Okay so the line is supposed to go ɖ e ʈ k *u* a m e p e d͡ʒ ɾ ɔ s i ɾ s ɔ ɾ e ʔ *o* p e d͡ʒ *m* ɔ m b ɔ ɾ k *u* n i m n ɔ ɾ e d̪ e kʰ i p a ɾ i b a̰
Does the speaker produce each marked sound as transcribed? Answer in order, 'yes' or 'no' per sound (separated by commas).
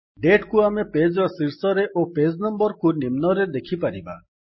yes, yes, no, yes